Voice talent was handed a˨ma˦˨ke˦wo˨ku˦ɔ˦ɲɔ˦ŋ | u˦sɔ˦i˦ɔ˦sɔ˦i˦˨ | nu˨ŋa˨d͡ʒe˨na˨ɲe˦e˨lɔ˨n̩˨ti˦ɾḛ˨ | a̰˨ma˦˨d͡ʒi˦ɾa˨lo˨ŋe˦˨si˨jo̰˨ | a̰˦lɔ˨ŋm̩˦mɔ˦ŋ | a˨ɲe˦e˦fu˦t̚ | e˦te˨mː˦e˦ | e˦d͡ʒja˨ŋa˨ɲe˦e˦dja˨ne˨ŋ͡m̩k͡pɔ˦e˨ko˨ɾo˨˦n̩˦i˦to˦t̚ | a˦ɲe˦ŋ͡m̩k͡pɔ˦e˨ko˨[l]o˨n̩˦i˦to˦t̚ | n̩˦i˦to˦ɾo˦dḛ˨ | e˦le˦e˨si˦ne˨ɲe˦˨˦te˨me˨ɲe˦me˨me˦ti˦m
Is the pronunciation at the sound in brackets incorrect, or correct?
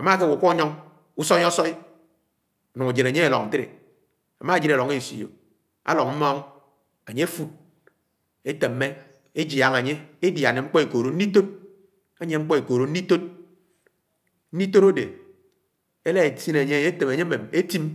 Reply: incorrect